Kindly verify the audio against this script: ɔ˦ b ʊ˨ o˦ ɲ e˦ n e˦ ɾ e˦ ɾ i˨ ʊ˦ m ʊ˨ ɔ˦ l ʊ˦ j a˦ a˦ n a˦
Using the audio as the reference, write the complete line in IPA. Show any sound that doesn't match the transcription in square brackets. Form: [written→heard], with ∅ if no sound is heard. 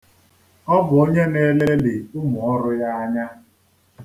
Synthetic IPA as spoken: ɔ˦ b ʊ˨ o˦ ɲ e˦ n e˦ [ɾ→l] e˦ [ɾ→l] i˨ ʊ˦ m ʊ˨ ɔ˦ [l→ɾ] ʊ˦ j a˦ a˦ [n→ɲ] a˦